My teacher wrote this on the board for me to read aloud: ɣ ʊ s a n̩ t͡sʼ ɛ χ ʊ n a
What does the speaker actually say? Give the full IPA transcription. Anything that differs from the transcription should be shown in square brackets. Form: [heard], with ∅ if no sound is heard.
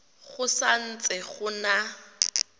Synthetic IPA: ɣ ʊ s a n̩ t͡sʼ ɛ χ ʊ n a